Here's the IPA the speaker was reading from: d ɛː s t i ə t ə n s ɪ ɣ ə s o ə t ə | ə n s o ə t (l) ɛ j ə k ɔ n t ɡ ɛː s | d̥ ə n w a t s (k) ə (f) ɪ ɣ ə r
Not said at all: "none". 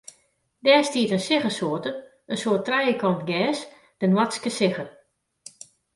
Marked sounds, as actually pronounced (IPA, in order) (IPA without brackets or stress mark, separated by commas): r, k, s